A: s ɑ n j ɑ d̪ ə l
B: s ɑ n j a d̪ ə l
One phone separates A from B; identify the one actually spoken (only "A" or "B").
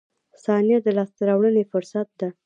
B